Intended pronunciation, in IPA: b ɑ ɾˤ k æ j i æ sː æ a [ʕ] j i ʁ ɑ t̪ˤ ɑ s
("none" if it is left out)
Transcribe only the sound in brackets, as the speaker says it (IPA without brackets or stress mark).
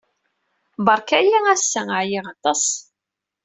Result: ʕ